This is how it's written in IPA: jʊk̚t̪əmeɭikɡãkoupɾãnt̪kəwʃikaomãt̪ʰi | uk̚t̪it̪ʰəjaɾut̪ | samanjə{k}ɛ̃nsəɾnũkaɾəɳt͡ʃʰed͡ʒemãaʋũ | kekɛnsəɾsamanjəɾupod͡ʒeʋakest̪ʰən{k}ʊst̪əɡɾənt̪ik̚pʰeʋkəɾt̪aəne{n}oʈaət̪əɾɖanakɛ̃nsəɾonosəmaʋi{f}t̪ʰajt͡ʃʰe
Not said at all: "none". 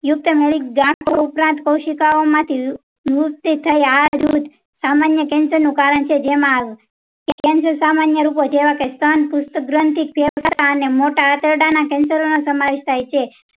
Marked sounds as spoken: k, p, m, ʃ

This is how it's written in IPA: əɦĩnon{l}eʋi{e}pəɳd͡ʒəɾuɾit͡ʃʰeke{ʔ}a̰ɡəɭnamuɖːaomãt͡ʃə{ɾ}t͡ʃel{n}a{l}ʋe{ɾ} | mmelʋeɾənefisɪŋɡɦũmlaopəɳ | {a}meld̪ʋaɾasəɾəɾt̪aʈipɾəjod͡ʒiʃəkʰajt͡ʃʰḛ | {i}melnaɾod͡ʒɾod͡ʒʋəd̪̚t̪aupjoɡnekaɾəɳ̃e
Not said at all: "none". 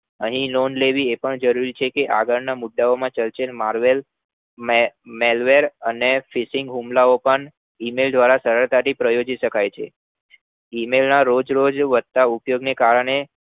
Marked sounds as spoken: l, e, ʔ, l, m, ɾ, l, i, i

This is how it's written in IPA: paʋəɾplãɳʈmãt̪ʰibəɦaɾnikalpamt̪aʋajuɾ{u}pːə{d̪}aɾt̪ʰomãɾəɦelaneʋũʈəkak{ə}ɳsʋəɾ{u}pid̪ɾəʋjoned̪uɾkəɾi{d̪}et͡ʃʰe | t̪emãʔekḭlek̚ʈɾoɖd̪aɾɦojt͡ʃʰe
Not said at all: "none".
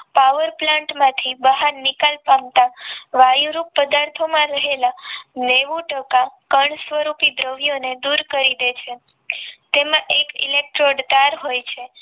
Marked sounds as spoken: u, d̪, ə, u, d̪

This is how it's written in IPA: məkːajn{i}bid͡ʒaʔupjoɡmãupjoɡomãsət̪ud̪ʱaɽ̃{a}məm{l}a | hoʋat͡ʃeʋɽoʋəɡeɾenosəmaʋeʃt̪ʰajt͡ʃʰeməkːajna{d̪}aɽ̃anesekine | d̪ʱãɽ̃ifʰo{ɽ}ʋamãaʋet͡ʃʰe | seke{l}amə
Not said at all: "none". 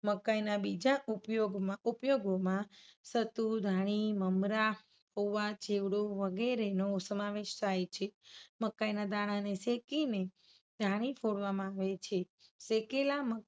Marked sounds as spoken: a, i, ɾ, d̪, ɽ, l

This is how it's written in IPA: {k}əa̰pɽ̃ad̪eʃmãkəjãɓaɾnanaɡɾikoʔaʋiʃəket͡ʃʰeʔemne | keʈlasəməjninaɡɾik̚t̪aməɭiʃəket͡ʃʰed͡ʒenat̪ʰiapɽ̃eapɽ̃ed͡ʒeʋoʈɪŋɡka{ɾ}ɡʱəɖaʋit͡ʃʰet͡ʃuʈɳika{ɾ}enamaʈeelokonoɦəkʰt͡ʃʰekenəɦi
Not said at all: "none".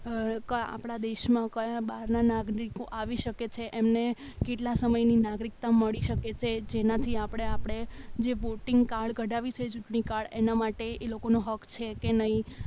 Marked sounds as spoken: k, ɭ, ɭ

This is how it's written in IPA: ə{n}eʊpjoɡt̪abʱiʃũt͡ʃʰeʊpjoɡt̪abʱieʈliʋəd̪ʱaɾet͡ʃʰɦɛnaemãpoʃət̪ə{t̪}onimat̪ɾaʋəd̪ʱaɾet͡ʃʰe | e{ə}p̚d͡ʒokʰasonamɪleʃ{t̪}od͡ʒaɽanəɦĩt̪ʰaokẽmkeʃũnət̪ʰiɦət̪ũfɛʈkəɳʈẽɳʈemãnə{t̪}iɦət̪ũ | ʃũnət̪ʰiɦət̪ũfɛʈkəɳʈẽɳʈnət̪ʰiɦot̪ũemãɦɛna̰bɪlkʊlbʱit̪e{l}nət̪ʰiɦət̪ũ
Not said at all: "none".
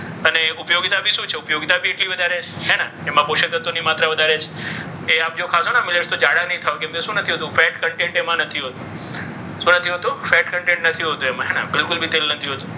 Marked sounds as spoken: n, t̪, a, t̪, t̪ʰ, l

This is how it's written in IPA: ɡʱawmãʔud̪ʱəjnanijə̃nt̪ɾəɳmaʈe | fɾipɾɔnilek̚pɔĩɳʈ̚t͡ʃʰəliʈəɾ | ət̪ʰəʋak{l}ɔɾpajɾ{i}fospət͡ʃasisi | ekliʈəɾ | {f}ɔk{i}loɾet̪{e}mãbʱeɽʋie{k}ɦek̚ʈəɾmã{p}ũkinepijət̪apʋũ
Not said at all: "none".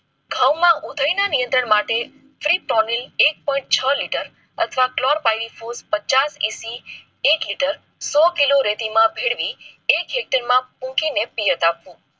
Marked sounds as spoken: l, i, s, i, i, k, p

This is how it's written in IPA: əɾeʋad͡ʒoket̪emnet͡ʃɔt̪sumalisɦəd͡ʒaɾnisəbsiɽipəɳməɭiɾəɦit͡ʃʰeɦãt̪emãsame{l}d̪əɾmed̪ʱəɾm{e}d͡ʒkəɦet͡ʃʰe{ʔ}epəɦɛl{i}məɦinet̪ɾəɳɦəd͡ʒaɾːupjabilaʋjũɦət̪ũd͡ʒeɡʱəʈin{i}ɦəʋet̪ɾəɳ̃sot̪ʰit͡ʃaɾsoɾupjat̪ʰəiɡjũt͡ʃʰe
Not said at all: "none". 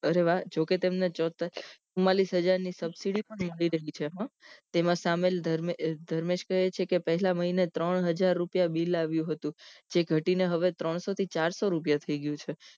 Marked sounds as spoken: l, e, k, a, e

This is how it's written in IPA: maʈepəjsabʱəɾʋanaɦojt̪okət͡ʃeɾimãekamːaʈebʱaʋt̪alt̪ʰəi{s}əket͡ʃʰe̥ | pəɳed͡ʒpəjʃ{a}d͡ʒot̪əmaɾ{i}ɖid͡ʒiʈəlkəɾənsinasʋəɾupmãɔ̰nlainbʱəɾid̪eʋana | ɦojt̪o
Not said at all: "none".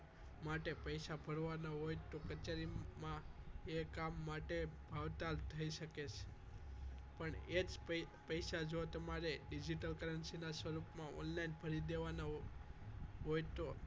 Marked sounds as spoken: ʃ, a, e

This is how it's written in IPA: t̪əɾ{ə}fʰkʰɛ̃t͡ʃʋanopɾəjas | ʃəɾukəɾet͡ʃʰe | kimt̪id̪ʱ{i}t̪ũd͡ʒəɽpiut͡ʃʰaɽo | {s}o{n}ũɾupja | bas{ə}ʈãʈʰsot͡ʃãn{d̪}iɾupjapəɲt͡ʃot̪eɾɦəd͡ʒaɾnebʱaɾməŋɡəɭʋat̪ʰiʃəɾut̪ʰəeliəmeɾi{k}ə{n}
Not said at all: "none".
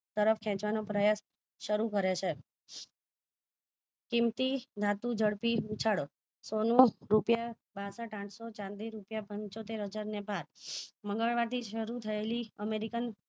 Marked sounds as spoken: ə, a, s, n, ə, d̪, k, n

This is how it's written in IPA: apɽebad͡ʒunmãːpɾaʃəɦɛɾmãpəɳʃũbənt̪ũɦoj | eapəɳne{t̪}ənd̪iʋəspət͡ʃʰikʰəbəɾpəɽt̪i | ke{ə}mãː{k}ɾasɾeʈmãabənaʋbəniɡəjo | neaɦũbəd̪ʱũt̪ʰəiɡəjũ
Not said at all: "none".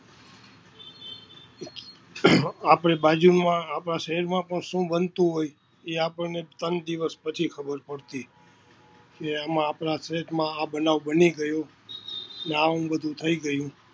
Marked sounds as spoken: t̪, a, p

